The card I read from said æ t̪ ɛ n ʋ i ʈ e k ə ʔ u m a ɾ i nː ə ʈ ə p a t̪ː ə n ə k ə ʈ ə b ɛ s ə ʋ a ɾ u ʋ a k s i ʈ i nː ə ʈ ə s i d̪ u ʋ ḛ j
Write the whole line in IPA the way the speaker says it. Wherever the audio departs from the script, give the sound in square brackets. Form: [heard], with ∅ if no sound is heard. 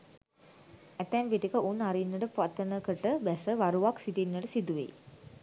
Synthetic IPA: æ t̪ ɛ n ʋ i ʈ [i] k ə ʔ u [n] a ɾ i nː ə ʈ ə p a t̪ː ə n ə k ə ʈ ə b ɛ s ə ʋ a ɾ u ʋ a k s i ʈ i nː ə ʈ ə s i d̪ u ʋ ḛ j